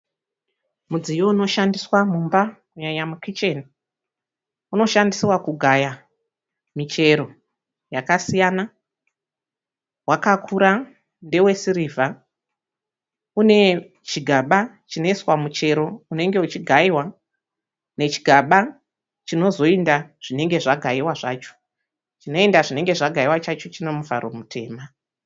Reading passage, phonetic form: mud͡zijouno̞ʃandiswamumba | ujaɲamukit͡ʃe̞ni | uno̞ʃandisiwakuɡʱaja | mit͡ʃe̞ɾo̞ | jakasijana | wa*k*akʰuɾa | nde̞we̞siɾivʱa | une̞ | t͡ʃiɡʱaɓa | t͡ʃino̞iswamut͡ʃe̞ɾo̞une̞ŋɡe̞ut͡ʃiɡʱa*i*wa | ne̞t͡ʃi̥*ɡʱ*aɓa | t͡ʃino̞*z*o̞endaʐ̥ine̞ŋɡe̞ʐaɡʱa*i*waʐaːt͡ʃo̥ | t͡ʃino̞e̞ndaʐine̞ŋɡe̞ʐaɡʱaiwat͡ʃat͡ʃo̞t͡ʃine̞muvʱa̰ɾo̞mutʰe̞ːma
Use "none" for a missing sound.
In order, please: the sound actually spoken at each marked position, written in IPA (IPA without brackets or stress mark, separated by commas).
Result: k, i, ɡʱ, z, i